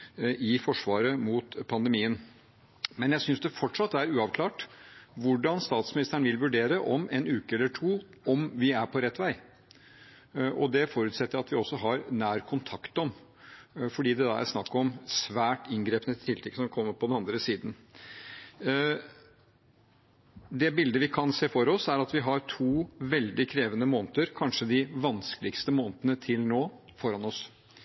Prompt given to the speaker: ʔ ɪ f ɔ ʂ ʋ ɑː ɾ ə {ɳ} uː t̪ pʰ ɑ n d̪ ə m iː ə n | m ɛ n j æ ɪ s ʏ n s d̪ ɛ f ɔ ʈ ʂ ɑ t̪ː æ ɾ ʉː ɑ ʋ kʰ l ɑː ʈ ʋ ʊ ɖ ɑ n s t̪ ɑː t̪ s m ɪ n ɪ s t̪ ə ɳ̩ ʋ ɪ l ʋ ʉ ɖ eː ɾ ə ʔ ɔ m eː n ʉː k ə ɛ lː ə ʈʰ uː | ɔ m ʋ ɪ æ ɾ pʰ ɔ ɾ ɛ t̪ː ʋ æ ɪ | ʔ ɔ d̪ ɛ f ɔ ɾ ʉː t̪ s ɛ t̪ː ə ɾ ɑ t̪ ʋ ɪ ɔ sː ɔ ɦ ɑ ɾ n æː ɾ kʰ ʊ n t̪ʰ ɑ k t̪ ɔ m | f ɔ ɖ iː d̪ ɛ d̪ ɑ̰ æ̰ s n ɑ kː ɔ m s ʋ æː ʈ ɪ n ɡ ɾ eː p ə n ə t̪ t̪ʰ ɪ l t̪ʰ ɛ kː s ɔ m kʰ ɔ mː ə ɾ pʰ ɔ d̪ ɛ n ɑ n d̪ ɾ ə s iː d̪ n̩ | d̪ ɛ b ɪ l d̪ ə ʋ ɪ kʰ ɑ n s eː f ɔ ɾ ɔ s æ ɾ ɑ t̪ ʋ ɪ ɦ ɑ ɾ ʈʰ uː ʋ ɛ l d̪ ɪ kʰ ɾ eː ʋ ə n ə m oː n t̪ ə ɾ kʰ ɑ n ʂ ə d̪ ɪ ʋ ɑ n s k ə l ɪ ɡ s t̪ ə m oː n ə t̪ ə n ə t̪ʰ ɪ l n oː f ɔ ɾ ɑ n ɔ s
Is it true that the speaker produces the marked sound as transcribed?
no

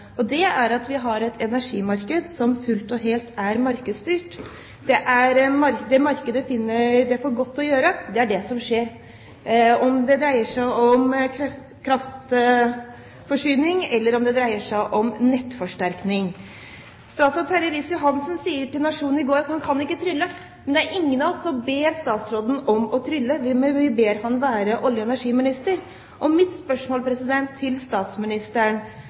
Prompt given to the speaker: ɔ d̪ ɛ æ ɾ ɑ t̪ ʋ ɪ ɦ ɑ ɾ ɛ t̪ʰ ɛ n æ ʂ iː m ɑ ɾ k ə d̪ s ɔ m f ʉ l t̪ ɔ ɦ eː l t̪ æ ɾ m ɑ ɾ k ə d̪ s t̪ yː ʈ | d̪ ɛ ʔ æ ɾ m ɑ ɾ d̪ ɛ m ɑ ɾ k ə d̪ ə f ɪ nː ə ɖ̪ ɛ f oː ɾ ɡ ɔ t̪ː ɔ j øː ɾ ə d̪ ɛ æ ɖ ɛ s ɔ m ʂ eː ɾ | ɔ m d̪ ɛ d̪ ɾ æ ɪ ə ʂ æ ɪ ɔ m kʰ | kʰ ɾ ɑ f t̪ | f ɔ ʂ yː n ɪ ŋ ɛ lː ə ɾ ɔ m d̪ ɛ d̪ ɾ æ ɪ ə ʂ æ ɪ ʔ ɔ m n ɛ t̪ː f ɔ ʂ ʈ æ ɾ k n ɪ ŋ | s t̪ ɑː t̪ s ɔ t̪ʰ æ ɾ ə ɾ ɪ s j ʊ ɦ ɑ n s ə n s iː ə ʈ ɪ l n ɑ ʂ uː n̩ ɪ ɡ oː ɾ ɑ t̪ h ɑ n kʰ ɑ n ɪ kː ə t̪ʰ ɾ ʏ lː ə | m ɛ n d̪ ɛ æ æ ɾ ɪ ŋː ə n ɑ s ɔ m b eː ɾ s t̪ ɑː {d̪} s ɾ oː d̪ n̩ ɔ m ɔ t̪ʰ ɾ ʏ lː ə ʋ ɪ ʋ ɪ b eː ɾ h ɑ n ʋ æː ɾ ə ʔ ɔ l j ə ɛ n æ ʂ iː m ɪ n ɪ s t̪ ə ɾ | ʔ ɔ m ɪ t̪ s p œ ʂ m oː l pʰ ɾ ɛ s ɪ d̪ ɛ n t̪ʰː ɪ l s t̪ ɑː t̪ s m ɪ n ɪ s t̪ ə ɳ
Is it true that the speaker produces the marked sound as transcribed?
no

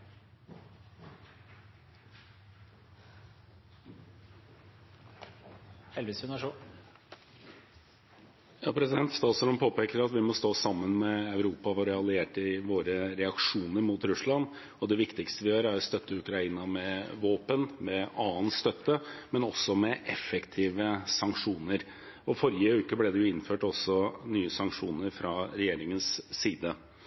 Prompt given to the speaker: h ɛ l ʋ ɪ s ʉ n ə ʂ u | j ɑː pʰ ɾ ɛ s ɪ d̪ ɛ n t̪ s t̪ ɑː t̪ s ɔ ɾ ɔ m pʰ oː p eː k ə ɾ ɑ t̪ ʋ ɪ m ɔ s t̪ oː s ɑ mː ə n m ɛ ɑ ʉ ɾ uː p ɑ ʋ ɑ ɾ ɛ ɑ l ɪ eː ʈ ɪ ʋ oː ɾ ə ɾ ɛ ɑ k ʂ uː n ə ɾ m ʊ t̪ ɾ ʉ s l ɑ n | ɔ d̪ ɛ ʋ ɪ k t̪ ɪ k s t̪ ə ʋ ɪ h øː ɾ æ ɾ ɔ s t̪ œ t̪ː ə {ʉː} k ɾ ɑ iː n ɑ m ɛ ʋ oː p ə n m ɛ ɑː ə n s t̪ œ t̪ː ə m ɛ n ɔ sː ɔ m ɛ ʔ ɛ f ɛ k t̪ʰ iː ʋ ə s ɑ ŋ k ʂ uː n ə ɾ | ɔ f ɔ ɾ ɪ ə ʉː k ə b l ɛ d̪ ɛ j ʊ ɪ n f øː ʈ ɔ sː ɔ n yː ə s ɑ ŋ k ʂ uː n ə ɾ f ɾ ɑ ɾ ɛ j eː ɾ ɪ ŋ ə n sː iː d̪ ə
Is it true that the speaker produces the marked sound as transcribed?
no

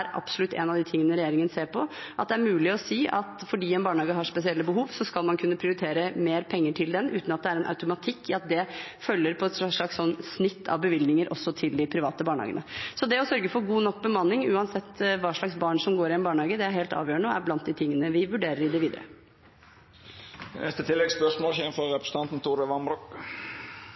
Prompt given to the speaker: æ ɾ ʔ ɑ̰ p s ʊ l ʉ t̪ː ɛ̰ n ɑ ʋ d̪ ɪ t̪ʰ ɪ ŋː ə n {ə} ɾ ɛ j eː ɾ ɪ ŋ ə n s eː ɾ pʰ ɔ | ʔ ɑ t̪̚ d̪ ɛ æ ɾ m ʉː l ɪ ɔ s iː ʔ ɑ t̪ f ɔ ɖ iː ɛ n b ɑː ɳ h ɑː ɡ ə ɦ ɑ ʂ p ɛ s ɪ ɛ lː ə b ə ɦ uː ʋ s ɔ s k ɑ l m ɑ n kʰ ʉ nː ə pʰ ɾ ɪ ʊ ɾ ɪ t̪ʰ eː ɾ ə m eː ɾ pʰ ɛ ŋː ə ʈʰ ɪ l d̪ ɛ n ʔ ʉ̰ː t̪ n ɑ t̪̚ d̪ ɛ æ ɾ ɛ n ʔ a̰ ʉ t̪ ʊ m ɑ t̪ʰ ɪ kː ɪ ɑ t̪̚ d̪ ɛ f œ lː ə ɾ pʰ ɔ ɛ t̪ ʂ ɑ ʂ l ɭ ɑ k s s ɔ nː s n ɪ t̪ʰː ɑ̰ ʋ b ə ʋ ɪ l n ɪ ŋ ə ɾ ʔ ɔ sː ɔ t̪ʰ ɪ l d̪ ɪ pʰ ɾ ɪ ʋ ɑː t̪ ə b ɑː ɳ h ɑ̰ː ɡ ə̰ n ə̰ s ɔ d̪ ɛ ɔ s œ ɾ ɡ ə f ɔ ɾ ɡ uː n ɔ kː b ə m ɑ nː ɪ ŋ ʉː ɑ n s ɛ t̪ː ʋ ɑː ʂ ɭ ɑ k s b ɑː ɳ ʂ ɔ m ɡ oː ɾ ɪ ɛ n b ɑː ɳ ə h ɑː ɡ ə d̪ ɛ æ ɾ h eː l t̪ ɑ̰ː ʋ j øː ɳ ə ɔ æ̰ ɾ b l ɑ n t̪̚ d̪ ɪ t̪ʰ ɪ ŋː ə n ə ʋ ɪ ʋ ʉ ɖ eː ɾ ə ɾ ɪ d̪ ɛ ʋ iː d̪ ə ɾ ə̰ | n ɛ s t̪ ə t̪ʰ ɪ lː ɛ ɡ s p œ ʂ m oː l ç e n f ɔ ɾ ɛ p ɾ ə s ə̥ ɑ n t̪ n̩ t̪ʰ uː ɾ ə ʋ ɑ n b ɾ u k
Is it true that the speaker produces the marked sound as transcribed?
yes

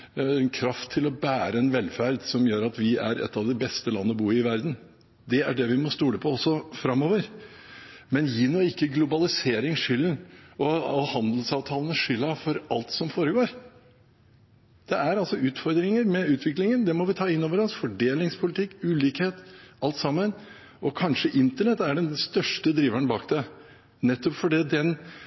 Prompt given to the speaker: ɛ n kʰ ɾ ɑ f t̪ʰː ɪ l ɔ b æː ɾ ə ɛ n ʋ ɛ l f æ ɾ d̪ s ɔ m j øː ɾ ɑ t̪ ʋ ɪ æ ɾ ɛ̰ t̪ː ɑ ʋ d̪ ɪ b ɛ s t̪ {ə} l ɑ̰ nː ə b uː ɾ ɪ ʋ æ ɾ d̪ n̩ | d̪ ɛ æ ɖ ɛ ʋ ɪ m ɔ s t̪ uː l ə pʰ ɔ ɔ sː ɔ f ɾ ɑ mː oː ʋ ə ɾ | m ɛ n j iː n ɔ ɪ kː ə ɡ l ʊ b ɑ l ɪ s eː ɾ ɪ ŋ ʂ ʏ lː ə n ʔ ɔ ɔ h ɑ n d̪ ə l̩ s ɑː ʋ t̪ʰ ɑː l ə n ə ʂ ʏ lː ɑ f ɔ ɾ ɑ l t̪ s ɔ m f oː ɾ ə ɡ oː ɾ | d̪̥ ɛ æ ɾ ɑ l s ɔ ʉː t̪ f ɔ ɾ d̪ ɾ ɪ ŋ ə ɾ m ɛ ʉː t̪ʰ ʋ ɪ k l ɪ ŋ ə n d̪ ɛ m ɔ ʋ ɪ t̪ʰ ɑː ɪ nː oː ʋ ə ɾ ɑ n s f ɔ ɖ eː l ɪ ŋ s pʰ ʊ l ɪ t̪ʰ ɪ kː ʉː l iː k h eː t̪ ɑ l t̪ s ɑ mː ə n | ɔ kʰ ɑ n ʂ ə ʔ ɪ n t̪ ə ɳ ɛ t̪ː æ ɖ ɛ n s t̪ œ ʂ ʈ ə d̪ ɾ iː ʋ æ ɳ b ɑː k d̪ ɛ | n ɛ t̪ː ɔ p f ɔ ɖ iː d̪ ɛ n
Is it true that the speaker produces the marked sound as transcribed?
yes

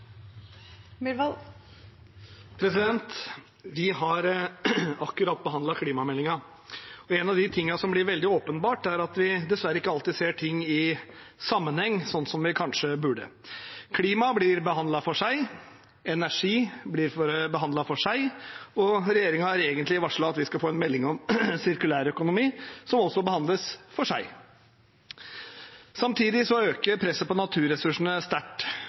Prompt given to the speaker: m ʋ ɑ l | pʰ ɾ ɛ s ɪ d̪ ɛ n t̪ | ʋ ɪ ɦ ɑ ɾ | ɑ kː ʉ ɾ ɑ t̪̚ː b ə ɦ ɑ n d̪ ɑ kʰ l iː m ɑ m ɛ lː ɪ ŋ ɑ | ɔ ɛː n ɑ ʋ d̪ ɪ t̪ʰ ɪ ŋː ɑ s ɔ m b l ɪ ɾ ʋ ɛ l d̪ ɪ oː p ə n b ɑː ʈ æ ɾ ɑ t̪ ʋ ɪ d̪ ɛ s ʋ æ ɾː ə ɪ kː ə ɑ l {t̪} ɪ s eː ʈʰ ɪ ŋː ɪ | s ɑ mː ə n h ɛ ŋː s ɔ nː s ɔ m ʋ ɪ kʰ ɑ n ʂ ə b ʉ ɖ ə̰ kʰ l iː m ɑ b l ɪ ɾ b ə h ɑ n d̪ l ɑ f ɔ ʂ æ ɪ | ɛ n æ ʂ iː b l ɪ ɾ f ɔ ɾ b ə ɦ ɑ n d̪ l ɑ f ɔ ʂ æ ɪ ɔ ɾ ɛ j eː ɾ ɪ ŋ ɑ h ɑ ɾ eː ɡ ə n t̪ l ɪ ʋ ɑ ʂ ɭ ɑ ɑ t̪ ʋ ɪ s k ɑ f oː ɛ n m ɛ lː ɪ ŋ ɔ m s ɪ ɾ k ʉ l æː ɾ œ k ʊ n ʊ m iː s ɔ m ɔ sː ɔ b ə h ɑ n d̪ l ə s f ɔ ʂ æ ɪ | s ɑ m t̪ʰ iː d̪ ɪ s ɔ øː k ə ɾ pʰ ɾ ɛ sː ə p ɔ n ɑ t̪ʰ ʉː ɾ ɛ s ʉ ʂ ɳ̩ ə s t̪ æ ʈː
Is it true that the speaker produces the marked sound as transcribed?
yes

